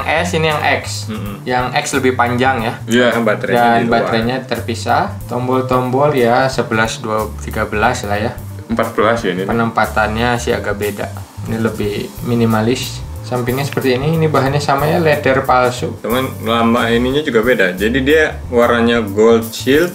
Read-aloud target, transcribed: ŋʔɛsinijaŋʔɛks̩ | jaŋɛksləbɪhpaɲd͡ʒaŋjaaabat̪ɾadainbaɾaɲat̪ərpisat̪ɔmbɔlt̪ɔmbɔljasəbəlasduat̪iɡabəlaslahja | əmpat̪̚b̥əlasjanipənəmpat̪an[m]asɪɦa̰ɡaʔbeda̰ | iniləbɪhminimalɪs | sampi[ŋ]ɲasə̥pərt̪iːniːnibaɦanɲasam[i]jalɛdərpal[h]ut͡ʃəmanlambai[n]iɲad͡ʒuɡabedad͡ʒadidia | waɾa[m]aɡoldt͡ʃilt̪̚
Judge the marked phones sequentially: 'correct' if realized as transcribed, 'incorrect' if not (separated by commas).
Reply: incorrect, correct, incorrect, incorrect, correct, incorrect